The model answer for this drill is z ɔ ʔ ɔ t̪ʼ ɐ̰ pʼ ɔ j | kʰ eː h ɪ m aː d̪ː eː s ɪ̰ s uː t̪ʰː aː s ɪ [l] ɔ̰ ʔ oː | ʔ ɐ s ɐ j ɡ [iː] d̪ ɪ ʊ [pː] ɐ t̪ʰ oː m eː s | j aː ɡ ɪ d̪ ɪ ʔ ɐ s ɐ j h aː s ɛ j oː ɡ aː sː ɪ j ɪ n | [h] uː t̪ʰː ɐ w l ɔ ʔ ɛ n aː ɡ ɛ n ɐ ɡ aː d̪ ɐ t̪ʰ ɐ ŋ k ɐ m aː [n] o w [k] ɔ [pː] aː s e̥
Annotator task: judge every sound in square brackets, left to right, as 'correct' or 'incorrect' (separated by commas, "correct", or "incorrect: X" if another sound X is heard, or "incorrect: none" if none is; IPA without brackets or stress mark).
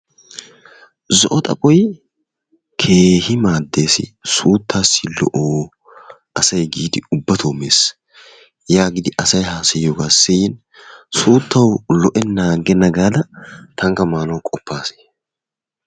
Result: correct, correct, incorrect: bː, incorrect: s, correct, incorrect: kʼ, correct